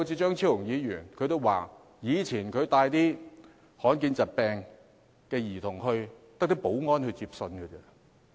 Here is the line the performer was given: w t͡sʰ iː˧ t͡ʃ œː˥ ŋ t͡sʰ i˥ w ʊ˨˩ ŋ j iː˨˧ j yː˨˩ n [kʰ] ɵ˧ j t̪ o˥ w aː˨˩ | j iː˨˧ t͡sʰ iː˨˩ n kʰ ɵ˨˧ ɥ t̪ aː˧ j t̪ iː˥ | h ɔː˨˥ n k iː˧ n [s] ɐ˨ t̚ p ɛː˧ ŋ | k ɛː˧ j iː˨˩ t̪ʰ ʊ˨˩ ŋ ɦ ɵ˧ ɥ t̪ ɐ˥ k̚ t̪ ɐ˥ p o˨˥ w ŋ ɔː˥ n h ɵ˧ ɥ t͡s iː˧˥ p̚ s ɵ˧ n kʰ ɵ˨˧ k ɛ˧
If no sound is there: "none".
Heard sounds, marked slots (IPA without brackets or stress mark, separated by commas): kʰ, t͡s